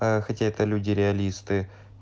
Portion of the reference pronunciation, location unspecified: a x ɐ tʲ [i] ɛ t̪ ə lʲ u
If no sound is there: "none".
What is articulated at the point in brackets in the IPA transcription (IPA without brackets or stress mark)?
a